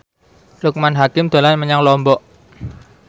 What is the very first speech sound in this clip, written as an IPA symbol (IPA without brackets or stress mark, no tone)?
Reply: l